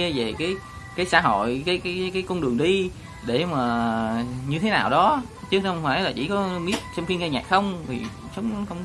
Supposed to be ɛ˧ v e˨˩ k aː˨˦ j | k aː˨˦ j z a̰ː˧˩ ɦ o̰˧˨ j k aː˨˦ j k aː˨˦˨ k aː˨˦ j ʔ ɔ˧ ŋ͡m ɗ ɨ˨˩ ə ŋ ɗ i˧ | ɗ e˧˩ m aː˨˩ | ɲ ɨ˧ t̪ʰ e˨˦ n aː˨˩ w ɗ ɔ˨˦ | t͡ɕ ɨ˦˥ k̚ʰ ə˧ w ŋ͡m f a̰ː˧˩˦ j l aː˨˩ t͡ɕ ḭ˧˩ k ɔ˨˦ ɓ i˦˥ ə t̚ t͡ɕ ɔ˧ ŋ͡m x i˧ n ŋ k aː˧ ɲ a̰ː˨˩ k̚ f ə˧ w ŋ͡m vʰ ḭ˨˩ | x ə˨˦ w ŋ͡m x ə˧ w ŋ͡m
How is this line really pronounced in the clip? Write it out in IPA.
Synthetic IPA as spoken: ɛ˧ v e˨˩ k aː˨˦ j | k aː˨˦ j s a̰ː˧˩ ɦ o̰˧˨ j k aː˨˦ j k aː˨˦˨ k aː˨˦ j k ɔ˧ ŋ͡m ɗ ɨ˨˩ ə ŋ ɗ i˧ | ɗ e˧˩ m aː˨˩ | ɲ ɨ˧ t̪ʰ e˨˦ n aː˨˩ w ɗ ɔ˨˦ | t͡ɕ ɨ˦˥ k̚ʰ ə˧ w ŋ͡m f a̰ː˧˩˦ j l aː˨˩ t͡ɕ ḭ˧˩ k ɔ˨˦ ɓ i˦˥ ə t̚ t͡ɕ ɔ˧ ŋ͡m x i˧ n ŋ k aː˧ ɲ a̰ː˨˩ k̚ x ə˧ w ŋ͡m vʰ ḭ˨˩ | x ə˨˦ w ŋ͡m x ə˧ w ŋ͡m